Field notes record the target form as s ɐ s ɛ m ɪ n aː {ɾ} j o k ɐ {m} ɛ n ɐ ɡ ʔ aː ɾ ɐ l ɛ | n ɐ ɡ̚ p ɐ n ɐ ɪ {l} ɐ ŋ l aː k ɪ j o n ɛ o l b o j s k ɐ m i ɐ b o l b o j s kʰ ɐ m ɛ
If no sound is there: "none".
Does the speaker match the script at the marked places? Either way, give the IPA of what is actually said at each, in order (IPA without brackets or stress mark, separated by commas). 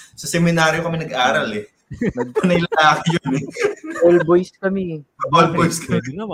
ɾ, m, l